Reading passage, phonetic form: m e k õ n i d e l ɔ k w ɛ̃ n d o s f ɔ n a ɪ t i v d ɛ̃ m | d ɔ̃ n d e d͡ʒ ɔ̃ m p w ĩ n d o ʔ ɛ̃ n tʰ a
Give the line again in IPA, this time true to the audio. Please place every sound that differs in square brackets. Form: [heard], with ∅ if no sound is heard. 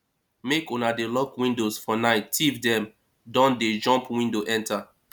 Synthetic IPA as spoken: m e k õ n [a] d e l ɔ k w [ĩ] n d o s f ɔ n a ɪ t i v d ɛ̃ m | d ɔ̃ n d e d͡ʒ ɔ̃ m p w ĩ n d o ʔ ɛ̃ n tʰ a

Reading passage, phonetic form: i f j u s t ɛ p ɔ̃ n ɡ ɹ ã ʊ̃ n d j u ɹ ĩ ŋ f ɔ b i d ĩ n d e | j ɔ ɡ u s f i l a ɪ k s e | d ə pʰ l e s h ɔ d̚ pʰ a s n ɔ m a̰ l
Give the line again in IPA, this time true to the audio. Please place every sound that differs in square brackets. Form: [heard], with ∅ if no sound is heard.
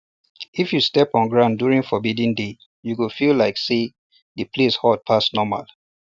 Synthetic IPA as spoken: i f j u s t ɛ p ɔ̃ n ɡ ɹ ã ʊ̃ n d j u ɹ ĩ ŋ f ɔ b i d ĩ n d e | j [u] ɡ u [∅] f i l a ɪ k s e | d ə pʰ l e s h ɔ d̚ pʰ a s n ɔ m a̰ l

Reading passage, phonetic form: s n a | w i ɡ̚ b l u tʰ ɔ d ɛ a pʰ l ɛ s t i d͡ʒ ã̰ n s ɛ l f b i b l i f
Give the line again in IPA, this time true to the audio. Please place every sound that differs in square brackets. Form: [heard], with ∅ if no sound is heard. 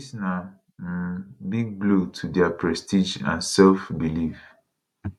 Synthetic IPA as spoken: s n a | [b] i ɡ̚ b l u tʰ [u] d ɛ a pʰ [ɹ] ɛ s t i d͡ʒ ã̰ n s ɛ l f b i [∅] l i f

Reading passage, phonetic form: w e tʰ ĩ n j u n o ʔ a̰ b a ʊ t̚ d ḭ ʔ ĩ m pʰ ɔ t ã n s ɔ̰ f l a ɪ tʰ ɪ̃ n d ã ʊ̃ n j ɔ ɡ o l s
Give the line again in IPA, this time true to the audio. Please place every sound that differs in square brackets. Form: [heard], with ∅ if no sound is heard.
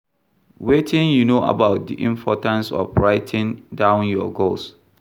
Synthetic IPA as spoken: w e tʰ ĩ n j u n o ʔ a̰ b a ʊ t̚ d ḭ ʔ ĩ m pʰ ɔ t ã n s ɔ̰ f [ɹ] a ɪ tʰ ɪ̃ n d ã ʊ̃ n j ɔ ɡ o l s

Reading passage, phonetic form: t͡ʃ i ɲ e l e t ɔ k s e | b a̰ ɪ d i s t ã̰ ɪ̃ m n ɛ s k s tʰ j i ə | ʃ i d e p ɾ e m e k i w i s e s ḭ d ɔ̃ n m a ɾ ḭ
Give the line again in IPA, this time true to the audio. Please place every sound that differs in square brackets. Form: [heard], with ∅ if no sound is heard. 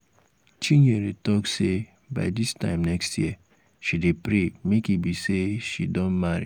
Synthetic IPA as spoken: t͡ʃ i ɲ e [ɾ] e t ɔ k s e | b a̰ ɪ d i s t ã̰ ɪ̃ m n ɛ [∅] k s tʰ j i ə | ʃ i d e p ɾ e m e k i [b] i s e [ʃ] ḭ d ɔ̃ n m a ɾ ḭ

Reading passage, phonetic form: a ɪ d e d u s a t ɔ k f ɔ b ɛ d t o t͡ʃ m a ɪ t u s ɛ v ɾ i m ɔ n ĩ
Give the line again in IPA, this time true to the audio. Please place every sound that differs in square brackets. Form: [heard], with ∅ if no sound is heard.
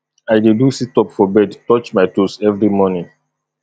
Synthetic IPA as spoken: a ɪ d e d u s [i] t ɔ [p] f ɔ b ɛ d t [ɔ] t͡ʃ m a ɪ t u s ɛ v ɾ i m ɔ n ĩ

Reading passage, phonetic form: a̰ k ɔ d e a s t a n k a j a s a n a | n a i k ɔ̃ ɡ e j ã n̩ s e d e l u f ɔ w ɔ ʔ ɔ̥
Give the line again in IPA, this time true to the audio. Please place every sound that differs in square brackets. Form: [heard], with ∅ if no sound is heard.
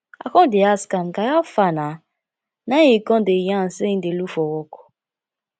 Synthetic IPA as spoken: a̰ k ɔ d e a s [k] a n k a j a [f] a n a | n a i k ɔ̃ [d] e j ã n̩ s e d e l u f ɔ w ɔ [k] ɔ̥

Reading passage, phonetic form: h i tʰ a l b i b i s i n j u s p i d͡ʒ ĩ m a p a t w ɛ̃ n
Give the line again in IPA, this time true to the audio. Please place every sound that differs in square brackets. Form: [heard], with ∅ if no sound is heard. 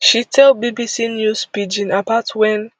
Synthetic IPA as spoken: [ʃ] i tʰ [ɛ] l b i b i s i n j u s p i d͡ʒ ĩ [n] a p a t w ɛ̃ n

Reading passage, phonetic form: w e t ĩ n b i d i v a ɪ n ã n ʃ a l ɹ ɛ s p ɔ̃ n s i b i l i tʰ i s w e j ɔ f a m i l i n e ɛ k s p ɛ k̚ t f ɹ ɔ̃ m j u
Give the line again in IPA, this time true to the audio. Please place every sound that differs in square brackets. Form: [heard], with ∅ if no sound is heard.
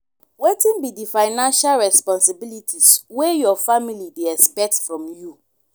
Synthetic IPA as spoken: w e t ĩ n b i d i [f] a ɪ n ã n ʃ a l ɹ ɛ s p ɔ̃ n s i b i l i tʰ i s w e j ɔ f a m i l i [d] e ɛ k s p ɛ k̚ t f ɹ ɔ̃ m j u

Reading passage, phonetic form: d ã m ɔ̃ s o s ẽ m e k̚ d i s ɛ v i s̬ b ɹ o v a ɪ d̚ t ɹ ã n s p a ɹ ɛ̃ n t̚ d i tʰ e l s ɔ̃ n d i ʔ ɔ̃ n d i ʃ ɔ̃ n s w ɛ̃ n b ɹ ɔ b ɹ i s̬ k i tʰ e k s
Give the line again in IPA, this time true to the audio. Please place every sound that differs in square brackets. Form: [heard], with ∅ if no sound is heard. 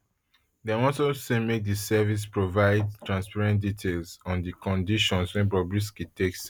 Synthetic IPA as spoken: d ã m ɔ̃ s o s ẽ m e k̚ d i s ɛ v i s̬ [p] ɹ o v a ɪ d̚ t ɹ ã n s p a ɹ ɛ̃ n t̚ d i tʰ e l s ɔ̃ n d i [k] ɔ̃ n d i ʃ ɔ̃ n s w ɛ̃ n b ɹ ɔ b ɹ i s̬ k i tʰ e k s

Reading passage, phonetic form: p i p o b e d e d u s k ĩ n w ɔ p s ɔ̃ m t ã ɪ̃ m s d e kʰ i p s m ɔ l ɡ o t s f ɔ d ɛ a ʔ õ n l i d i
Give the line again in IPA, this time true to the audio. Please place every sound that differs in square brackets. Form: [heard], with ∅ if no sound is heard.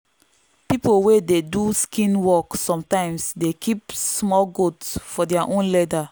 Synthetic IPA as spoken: p i p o [w] e d e d u s k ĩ n w ɔ [k] s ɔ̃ m t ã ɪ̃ m s d e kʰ i p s m ɔ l ɡ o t s f ɔ d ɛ a ʔ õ n l [ɛ] d [a]

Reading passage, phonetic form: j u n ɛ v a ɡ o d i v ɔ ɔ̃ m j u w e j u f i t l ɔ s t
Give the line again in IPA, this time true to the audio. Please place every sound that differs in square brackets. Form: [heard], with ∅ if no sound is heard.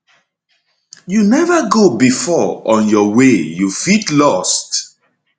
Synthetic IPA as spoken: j u n ɛ v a ɡ o [b] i [f] ɔ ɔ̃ [n] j [ɔ] w e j u f i t l ɔ s t

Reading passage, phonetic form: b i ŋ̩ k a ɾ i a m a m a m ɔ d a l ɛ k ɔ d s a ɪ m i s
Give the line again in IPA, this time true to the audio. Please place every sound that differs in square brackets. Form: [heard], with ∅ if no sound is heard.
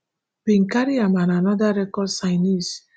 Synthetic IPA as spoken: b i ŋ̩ k a ɾ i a m a [n] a [n] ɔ d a [ɾ] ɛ k ɔ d s a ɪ [n] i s

